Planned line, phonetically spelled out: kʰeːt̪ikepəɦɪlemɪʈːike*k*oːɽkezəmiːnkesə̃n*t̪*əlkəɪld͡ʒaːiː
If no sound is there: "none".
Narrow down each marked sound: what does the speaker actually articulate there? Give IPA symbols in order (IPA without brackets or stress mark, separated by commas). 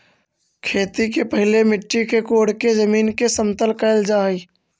k, t̪